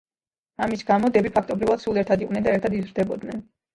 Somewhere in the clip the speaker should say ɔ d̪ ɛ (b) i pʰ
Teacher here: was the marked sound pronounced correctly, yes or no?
yes